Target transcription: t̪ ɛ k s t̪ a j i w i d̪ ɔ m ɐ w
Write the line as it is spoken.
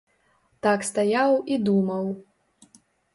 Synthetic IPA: t̪ a k s t̪ a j a w i d̪ u m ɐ w

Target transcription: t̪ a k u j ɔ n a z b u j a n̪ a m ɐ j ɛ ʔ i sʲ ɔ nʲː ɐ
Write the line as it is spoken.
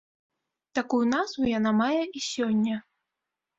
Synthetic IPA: t̪ a k u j u n a z v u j a n̪ a m a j ɛ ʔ i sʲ ɔ nʲː ɐ

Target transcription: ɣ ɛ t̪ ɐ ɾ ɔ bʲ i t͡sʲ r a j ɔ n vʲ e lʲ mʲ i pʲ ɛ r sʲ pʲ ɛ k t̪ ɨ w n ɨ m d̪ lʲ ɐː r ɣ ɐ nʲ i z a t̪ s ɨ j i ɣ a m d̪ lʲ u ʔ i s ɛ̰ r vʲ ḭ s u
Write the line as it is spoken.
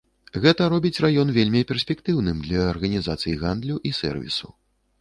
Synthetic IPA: ɣ ɛ t̪ ɐ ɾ ɔ bʲ i t͡sʲ r a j ɔ n vʲ e lʲ mʲ i pʲ ɛ r sʲ pʲ ɛ k t̪ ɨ w n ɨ m d̪ lʲ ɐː r ɣ ɐ nʲ i z a t̪ s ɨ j i ɣ a n d̪ lʲ u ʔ i s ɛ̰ r vʲ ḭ s u

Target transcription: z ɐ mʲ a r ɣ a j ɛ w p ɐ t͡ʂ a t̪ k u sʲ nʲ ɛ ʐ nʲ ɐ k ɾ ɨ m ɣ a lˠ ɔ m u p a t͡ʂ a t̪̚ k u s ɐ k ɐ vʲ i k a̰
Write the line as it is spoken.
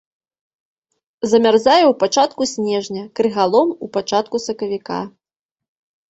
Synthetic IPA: z ɐ mʲ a r z a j ɛ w p a t͡ʂ a t̪ k u sʲ nʲ ɛ ʐ nʲ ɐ k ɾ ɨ ɣ a lˠ ɔ m u p a t͡ʂ a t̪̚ k u s ɐ k ɐ vʲ i k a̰

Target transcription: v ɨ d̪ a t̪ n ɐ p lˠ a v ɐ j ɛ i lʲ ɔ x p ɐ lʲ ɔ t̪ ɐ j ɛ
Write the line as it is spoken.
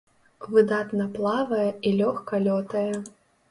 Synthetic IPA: v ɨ d̪ a t̪ n ɐ p lˠ a v ɐ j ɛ i lʲ ɔ x k ɐ lʲ ɔ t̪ ɐ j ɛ

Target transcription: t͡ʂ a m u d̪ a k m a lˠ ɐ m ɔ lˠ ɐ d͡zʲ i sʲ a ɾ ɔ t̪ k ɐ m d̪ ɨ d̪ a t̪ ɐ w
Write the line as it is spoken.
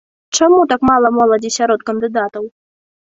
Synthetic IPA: t͡ʂ a m u t̪ a k m a lˠ ɐ m ɔ lˠ ɐ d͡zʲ i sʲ a ɾ ɔ t̪ k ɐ n d̪ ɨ d̪ a t̪ ɐ w

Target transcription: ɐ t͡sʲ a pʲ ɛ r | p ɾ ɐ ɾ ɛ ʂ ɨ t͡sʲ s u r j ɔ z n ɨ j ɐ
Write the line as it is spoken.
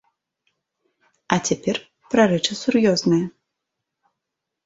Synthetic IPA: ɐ t͡sʲ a pʲ ɛ r | p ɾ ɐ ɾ ɛ t͡ʂ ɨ s u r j ɔ z n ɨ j ɐ

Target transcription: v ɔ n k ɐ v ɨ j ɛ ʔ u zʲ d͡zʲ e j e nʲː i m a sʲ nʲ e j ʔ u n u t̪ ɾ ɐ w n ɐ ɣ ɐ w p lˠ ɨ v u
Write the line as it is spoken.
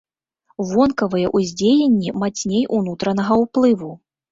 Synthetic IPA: v ɔ n k ɐ v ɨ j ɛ ʔ u zʲ d͡zʲ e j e nʲː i m a t͡sʲ nʲ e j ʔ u n u t̪ ɾ ɐ n ɐ ɣ ɐ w p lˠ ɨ v u

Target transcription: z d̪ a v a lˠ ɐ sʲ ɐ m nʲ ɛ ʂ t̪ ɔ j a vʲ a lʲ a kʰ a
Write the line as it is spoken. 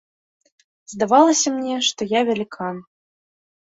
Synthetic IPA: z d̪ a v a lˠ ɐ sʲ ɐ m nʲ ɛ ʂ t̪ ɔ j a vʲ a lʲ i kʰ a

